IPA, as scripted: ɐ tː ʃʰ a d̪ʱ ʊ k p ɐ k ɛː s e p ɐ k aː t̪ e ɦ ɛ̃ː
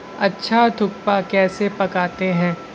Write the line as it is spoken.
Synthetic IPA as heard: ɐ tː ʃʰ a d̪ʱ ʊ k p a k ɛː s e p ɐ k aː t̪ e ɦ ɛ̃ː